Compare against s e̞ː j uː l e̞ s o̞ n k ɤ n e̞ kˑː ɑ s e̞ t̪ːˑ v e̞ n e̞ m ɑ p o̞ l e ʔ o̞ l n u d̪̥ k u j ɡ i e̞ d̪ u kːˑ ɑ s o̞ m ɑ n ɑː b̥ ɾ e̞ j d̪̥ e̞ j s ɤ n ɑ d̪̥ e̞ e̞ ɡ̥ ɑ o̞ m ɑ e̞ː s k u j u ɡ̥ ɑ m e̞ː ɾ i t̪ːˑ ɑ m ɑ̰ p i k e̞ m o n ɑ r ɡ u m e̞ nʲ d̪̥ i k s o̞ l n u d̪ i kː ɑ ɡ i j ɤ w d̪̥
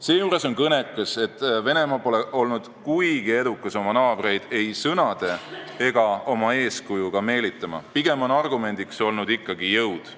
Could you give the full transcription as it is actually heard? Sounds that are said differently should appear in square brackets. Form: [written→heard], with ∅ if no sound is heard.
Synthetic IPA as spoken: s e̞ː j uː [l→ɾ] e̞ s o̞ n k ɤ n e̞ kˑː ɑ s e̞ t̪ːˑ v e̞ n e̞ m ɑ p o̞ l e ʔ o̞ l n u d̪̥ k u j ɡ i e̞ d̪ u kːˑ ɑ s o̞ m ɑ n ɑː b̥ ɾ e̞ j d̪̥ e̞ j s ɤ n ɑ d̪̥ e̞ e̞ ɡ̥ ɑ o̞ m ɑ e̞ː s k u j u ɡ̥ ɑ m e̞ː [ɾ→l] i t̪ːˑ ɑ m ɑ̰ p i [k→ɡ] e̞ m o n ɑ r ɡ u m e̞ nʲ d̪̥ i k s o̞ l n u d̪ i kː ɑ ɡ i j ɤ w d̪̥